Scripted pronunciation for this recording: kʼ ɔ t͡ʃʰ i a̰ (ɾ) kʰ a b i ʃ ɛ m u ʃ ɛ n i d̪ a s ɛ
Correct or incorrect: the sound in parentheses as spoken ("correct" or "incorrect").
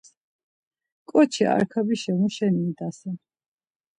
correct